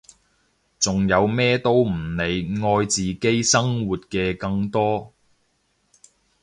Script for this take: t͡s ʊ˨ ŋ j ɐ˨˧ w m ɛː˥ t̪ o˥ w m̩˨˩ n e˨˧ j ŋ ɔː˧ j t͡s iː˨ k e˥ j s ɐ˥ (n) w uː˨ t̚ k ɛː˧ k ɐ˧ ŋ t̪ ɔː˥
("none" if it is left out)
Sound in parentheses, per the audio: ŋ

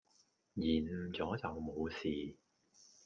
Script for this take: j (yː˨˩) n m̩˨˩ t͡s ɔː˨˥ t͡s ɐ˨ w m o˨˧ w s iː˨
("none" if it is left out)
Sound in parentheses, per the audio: iː˨˩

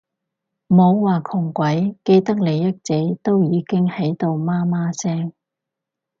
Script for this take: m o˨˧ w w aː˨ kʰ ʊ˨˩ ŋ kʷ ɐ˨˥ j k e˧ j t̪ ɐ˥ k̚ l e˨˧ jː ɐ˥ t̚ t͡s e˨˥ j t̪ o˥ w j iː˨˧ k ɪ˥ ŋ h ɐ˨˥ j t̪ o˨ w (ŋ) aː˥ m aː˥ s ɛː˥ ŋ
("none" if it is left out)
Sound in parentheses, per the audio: m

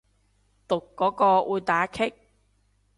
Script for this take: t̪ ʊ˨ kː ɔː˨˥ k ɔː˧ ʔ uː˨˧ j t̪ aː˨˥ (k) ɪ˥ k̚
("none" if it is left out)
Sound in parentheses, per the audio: kʰ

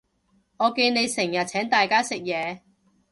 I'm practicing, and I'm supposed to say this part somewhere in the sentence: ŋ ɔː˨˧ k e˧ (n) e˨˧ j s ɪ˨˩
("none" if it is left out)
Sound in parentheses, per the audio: n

